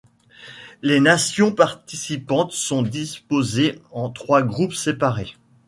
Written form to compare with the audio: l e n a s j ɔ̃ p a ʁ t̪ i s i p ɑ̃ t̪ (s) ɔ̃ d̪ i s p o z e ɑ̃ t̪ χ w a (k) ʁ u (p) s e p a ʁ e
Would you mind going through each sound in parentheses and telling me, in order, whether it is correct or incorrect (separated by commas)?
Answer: correct, incorrect, correct